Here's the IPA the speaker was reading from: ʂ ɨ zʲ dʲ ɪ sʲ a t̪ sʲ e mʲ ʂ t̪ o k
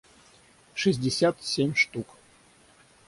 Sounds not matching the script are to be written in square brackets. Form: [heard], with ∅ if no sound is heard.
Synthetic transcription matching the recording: ʂ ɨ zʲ dʲ ɪ sʲ a t̪ sʲ e mʲ ʂ t̪ [u] k

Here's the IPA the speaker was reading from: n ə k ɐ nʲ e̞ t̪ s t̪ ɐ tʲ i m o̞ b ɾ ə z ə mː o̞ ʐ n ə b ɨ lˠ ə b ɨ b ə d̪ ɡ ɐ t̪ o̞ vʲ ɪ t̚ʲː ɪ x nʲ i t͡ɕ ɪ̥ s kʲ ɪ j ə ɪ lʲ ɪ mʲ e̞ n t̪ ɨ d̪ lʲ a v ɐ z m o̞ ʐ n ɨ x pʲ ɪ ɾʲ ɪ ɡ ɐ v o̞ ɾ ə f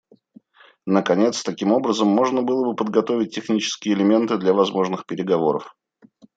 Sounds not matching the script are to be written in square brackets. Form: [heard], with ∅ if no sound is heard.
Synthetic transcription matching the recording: n ə k ɐ nʲ e̞ t̪ s t̪ ɐ [kʲ] i m o̞ b ɾ ə z ə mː o̞ ʐ n ə b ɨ lˠ ə b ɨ [p] ə d̪ ɡ ɐ t̪ o̞ vʲ ɪ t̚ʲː ɪ x nʲ i t͡ɕ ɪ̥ s kʲ ɪ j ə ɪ lʲ ɪ mʲ e̞ n t̪ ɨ d̪ lʲ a v ɐ z m o̞ ʐ n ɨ x pʲ ɪ ɾʲ ɪ ɡ ɐ v o̞ ɾ ə f

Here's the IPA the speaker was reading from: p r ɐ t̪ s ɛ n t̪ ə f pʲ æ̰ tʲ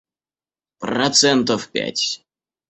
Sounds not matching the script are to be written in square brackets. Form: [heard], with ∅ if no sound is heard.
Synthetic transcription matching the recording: p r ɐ t̪ s ɛ n t̪ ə f pʲ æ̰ tʲ

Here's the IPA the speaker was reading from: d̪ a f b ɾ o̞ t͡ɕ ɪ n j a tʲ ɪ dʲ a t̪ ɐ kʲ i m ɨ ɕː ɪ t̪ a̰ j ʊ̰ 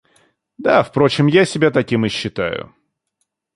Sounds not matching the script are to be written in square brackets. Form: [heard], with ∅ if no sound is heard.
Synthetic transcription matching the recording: d̪ a f [p] ɾ o̞ t͡ɕ ɪ [m] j a [sʲ] ɪ [bʲ] a t̪ ɐ kʲ i m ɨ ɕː ɪ t̪ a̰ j ʊ̰

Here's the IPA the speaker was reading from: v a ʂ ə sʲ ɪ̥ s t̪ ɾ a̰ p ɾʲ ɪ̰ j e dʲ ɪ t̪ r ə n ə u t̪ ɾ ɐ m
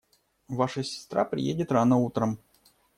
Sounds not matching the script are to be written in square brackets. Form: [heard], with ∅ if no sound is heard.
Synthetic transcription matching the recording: v a ʂ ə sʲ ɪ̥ s t̪ ɾ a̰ p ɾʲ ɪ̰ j e dʲ ɪ t̪ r [a] n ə u t̪ ɾ [ə] m

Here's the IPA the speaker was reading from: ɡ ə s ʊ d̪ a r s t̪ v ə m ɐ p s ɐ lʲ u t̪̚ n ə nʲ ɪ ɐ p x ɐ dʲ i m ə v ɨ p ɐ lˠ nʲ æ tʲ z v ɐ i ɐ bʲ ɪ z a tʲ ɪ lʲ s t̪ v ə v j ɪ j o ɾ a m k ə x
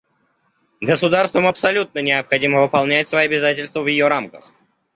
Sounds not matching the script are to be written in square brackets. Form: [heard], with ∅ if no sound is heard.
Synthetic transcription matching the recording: ɡ ə s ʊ d̪ a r s t̪ v ə m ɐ p s ɐ lʲ u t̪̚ n ə nʲ ɪ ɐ p x ɐ dʲ i m ə v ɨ p ɐ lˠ nʲ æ tʲ [s] v ɐ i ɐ bʲ ɪ z a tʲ ɪ lʲ s t̪ v ə v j ɪ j o ɾ a m k ə x

